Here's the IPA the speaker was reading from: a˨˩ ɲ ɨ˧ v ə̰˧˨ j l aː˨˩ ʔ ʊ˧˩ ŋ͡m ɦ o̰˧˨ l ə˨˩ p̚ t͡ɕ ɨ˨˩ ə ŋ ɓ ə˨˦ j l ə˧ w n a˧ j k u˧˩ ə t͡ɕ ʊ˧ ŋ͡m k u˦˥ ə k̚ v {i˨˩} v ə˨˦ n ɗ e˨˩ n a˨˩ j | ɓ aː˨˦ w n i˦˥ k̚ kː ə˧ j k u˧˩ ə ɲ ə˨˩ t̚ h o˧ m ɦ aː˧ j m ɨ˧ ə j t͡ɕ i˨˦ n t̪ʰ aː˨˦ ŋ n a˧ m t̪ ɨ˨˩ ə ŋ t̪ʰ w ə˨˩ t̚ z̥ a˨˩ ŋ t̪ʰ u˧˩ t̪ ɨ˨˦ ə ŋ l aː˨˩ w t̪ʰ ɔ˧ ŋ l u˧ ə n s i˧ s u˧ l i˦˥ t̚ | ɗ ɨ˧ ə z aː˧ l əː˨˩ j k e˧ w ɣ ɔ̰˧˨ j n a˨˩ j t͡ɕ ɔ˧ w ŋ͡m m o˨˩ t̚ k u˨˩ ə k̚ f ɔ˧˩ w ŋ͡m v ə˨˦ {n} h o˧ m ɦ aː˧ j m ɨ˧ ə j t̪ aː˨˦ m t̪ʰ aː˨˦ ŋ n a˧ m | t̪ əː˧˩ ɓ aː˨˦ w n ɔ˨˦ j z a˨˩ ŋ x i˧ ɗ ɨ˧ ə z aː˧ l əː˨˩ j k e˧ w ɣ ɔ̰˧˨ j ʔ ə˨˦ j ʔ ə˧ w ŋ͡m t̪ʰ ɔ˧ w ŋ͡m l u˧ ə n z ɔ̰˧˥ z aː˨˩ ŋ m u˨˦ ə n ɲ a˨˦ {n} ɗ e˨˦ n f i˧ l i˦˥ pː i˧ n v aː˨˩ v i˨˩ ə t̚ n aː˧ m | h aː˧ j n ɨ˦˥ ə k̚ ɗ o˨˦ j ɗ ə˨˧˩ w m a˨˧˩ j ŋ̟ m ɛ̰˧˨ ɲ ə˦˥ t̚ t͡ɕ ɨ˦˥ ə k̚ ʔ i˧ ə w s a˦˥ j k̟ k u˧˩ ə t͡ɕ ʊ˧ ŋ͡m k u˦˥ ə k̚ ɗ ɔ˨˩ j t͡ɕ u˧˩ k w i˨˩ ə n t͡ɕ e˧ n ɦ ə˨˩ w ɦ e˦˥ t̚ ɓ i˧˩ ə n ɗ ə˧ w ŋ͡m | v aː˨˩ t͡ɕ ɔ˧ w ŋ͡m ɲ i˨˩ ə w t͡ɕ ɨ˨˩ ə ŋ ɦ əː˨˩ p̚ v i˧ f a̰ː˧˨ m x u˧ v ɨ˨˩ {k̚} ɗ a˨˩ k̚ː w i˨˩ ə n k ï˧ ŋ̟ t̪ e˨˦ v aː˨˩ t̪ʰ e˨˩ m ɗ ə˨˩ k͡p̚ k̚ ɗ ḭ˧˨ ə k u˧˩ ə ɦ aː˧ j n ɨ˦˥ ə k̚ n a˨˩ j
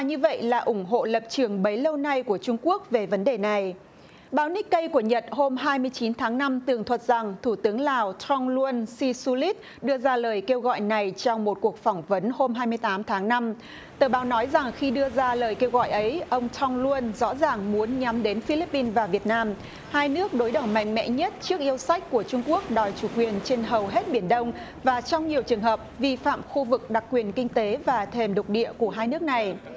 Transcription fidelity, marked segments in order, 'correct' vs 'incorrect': incorrect: e˨˩, correct, incorrect: m, correct

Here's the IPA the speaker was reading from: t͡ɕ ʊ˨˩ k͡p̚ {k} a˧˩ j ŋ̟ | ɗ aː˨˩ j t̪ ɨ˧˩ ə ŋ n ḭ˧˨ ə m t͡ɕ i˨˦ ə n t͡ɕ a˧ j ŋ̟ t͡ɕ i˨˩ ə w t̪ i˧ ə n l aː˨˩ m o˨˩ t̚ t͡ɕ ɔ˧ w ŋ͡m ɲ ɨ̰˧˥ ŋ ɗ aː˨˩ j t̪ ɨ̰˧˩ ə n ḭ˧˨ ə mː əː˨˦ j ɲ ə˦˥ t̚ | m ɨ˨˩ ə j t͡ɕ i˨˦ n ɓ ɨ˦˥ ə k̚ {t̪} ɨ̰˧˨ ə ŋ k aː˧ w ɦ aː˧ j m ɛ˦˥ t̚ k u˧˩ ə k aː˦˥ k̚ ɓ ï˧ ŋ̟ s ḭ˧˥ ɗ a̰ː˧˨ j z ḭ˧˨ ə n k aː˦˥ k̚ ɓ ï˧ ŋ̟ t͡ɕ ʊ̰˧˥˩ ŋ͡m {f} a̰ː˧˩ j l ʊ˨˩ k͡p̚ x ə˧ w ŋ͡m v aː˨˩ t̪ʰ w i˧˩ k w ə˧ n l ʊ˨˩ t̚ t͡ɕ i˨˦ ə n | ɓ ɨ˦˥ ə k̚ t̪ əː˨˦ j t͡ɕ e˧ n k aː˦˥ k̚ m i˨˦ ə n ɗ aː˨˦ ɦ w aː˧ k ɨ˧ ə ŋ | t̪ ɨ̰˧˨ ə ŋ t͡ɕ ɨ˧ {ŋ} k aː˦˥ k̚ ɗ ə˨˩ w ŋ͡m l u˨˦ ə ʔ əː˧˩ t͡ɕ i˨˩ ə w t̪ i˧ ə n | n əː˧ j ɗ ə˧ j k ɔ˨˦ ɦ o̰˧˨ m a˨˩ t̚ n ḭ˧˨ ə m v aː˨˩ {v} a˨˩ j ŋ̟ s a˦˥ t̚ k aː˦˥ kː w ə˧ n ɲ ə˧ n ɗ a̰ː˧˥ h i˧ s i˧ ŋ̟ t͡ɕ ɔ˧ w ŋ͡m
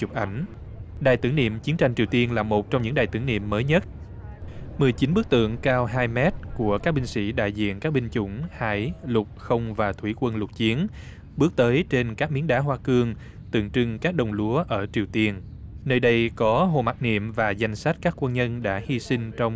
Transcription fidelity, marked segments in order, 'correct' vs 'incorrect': incorrect: ʔ, correct, incorrect: h, correct, incorrect: z

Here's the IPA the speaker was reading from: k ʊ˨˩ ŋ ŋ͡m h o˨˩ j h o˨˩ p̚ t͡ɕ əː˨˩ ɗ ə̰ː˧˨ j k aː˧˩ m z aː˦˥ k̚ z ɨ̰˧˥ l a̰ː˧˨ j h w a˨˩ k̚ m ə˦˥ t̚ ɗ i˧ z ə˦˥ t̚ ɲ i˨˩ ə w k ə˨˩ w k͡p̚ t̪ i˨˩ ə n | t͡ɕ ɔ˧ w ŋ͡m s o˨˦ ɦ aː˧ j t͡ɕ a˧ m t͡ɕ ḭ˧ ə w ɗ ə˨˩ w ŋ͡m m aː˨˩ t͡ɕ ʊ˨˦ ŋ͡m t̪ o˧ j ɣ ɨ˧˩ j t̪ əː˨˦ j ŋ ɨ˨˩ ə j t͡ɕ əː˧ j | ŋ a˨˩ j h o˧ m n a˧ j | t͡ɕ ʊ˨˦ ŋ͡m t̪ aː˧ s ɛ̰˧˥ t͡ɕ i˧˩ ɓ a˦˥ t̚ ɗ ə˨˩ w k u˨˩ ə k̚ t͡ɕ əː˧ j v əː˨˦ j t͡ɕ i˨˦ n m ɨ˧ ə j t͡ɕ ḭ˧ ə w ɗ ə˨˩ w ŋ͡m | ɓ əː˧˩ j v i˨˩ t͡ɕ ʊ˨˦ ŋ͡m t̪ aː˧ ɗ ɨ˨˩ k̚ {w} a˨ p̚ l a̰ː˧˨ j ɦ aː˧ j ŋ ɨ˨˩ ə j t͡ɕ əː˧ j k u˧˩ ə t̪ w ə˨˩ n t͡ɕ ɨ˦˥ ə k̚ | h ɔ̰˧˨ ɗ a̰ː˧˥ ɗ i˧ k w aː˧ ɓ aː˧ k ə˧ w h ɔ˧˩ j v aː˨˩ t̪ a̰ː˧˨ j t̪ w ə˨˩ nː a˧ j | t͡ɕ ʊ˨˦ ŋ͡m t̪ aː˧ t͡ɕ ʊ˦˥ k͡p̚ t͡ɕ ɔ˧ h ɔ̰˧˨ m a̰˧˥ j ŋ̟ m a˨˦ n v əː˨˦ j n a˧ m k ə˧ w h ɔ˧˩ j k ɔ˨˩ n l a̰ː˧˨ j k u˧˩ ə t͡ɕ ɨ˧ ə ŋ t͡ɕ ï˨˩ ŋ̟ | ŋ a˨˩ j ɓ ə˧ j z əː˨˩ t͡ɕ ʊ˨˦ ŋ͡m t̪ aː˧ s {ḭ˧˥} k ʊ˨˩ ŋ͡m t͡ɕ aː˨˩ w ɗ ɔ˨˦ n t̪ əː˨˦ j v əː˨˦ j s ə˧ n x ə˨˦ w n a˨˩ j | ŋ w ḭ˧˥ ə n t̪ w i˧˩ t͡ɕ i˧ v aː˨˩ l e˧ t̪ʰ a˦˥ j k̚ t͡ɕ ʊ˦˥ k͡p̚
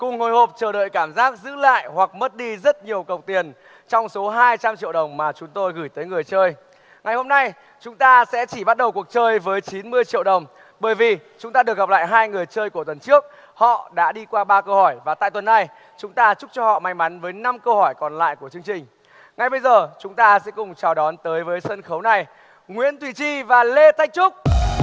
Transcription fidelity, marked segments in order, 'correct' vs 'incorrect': incorrect: ɣ, incorrect: ɛ̰˧˥

